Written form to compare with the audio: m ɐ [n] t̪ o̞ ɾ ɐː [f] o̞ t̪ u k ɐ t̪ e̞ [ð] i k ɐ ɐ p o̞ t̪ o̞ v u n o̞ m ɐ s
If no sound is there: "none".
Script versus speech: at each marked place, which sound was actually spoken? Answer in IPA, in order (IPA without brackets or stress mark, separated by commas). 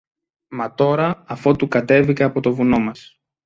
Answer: none, f, v